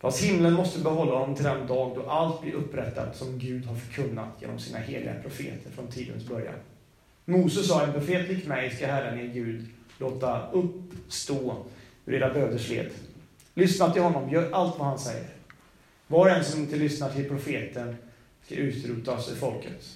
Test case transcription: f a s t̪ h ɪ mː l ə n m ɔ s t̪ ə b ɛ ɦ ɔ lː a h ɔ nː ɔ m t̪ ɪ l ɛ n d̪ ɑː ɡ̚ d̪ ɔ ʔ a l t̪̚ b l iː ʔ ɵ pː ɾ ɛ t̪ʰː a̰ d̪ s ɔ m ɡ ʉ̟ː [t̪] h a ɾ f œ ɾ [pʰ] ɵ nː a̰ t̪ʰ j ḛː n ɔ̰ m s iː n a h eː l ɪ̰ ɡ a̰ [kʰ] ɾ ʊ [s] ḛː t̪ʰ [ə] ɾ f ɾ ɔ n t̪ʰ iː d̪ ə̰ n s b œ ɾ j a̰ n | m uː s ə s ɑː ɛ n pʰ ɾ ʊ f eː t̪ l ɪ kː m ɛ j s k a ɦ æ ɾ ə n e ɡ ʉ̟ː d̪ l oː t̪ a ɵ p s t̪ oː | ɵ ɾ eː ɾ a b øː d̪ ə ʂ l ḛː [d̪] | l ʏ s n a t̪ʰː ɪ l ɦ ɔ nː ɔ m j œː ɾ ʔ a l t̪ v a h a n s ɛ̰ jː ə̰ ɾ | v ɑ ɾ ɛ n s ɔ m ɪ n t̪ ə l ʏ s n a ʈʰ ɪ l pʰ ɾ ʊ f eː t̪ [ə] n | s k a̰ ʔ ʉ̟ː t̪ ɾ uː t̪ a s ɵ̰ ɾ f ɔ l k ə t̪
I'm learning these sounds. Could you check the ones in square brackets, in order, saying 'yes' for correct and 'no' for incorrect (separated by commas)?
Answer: no, no, no, no, yes, yes, yes